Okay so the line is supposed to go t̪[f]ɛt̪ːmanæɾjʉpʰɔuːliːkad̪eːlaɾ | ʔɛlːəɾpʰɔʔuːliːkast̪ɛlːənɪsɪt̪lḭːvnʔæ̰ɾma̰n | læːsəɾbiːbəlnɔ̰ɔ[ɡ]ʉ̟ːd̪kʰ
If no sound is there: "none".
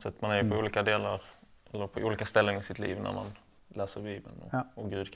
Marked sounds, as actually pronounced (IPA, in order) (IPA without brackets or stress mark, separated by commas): s, ɡ